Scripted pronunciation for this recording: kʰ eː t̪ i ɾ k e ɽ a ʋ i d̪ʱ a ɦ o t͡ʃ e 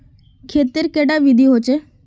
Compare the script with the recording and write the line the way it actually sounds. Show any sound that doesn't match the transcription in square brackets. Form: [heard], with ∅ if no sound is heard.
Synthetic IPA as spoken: kʰ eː t̪ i ɾ k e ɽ a ʋ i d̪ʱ [i] ɦ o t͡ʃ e

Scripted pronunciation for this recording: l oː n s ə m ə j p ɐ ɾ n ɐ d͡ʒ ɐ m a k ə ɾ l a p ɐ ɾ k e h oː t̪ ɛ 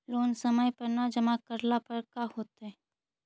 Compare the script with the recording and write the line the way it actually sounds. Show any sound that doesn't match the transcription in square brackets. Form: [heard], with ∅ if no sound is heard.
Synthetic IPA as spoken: l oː n s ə m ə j p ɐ ɾ n [a] d͡ʒ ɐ m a k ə ɾ l a p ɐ ɾ k [a] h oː t̪ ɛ

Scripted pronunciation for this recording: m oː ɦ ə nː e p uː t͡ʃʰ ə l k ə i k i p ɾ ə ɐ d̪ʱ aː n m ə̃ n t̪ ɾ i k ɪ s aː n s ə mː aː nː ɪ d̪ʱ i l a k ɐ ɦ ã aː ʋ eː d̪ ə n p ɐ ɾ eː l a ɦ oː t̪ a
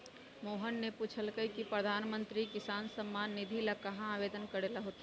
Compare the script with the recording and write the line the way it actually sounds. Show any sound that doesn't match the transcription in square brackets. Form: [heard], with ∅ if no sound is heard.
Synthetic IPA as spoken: m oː ɦ ə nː e p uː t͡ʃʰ ə l k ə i k i p ɾ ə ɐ d̪ʱ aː n m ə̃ n t̪ ɾ i k ɪ s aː n s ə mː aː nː ɪ d̪ʱ i l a k ɐ ɦ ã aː ʋ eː d̪ ə n [k] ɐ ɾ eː l a ɦ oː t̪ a

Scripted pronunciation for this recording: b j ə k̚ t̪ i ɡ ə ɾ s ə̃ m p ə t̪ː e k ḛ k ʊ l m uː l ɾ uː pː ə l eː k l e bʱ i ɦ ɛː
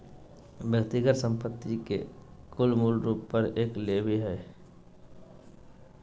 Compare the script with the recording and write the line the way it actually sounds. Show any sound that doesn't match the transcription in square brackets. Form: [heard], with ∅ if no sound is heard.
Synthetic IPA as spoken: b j ə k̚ t̪ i ɡ ə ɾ s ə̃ m p ə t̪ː [i] k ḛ k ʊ l m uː l ɾ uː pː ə [ɾ] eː k l e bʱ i ɦ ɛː

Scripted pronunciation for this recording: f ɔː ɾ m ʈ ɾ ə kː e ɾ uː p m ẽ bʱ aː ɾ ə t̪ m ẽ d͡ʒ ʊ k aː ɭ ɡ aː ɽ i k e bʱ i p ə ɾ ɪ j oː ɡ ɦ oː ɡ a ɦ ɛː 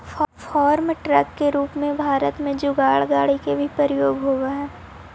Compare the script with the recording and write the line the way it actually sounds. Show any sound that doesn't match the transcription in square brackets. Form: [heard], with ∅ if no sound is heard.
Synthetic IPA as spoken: f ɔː ɾ m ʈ ɾ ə kː e ɾ uː p m ẽ bʱ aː ɾ ə t̪ m ẽ d͡ʒ ʊ [ɡ] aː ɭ ɡ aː ɽ i k e bʱ i p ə ɾ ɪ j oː ɡ ɦ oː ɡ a ɦ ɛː

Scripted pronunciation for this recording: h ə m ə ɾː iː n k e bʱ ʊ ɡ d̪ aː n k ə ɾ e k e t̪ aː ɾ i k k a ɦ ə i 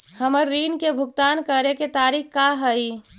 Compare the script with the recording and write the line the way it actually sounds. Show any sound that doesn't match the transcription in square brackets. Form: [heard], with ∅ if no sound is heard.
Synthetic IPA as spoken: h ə m ə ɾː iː n k e bʱ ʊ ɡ [t̪] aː n k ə ɾ e k e t̪ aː ɾ i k k a ɦ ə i

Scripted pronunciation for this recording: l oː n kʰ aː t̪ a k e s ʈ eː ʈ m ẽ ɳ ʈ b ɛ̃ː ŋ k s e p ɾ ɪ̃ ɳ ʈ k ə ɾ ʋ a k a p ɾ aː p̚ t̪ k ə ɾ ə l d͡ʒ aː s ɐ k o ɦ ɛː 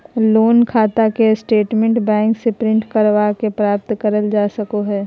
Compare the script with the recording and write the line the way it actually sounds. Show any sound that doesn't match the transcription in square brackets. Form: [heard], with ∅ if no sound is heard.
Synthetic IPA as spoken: l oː n kʰ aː t̪ a k e s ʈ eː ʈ m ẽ ɳ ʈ b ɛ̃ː ŋ k s e p ɾ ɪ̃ ɳ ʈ k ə ɾ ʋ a k [e] p ɾ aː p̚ t̪ k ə ɾ ə l d͡ʒ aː s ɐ k o ɦ ɛː

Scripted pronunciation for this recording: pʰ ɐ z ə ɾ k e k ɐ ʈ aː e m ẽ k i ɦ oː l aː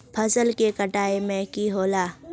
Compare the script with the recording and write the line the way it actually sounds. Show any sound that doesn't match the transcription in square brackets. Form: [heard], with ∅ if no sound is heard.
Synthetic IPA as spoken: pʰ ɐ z ə [l] k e k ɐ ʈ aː e m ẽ k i ɦ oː l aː

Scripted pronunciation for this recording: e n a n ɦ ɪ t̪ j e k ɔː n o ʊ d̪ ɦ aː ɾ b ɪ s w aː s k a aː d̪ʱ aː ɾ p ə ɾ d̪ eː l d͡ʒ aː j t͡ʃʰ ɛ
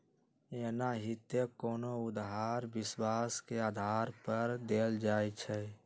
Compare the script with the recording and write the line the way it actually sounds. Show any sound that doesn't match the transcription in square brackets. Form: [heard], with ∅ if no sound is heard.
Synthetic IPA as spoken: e n a [∅] ɦ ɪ t̪ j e k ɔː n o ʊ d̪ ɦ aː ɾ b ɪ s w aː s k [e] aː d̪ʱ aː ɾ p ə ɾ d̪ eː l d͡ʒ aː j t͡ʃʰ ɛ

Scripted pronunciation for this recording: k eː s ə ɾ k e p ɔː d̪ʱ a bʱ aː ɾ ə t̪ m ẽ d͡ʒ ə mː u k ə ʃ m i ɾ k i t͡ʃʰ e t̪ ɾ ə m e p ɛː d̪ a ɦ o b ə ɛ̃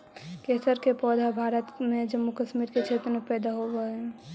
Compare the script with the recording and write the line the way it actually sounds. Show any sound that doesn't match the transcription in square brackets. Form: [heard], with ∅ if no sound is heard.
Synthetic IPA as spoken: k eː s ə ɾ k e p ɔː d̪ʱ a bʱ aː ɾ ə t̪ m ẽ d͡ʒ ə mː u k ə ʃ m i ɾ k [e] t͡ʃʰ e t̪ ɾ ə m e p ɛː d̪ a ɦ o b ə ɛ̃

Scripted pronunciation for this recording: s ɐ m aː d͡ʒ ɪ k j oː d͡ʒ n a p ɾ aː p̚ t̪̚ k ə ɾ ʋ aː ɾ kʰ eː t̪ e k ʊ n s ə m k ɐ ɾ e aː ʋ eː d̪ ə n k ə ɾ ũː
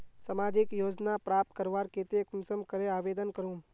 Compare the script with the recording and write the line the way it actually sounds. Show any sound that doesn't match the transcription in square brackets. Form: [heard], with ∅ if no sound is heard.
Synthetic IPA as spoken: s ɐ m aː d͡ʒ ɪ k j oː d͡ʒ n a p ɾ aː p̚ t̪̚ k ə ɾ ʋ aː ɾ [k] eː t̪ e k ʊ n s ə m k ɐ ɾ e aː ʋ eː d̪ ə n k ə ɾ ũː

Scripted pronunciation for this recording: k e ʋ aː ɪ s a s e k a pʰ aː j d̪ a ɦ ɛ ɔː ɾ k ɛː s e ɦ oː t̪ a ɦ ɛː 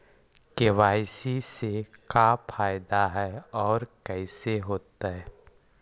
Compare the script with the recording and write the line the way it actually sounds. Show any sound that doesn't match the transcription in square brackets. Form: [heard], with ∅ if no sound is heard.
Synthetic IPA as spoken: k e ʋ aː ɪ s [i] s e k a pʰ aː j d̪ a ɦ ɛ ɔː ɾ k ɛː s e ɦ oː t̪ a ɦ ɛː

